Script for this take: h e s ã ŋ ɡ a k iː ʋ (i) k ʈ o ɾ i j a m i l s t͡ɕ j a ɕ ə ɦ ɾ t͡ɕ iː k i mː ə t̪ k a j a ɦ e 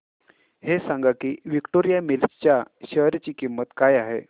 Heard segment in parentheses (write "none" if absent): i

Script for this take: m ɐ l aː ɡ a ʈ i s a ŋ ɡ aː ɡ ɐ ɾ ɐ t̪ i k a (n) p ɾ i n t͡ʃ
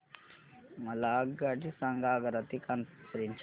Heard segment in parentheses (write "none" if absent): n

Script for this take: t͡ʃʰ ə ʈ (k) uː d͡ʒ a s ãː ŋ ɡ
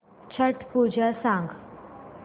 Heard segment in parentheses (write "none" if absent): p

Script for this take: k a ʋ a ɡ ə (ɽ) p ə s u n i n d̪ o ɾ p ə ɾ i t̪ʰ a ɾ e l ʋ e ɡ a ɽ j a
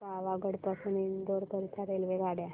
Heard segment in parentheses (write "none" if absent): ɽ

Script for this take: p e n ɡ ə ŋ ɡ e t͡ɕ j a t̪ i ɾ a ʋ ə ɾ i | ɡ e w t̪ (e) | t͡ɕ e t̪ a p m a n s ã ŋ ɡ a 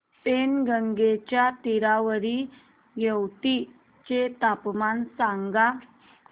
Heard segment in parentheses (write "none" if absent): i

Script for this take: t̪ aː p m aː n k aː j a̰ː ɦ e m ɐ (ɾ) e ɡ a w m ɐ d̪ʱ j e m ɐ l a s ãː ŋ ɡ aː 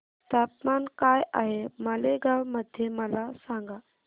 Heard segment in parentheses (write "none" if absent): l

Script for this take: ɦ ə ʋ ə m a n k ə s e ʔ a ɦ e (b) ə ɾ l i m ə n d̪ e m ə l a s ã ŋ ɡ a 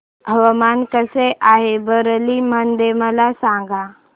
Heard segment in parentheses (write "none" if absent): b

